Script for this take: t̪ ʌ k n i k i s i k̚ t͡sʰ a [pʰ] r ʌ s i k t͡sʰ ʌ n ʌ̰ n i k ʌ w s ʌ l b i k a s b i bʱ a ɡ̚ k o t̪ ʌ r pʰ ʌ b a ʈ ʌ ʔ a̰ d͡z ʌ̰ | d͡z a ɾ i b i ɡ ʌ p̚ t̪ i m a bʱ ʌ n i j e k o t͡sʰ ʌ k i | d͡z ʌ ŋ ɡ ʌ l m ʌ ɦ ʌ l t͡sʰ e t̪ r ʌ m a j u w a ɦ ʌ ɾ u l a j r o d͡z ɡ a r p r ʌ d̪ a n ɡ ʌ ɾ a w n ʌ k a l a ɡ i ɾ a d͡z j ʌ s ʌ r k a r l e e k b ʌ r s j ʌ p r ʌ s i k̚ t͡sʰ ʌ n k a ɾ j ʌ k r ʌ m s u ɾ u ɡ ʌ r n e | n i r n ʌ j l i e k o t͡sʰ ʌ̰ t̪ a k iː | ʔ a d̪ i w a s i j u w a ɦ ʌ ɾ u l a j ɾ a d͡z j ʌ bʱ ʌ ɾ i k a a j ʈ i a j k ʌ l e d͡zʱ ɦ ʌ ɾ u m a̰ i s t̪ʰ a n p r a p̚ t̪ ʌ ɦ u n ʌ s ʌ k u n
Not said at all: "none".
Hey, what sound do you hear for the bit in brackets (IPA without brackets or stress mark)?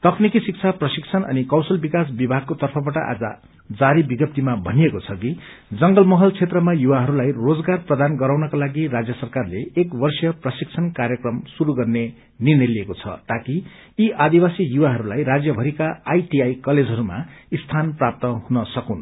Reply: p